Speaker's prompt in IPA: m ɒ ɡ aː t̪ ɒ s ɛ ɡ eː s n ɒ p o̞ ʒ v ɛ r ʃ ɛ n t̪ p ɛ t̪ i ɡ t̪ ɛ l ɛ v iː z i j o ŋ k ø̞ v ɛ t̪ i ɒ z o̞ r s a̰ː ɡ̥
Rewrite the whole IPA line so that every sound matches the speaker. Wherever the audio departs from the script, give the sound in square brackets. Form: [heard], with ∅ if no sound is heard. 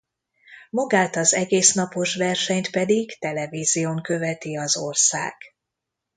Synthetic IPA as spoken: m ɒ ɡ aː t̪ ɒ [z] ɛ ɡ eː s n ɒ p o̞ [ʃ] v ɛ r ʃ ɛ [ɲ] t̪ p ɛ [d̪] i ɡ t̪ ɛ l ɛ v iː z i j o ŋ k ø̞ v ɛ t̪ i ɒ z o̞ r s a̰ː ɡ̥